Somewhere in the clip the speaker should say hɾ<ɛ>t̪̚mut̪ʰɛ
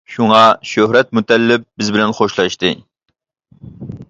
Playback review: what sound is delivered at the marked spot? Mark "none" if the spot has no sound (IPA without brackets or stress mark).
ɛ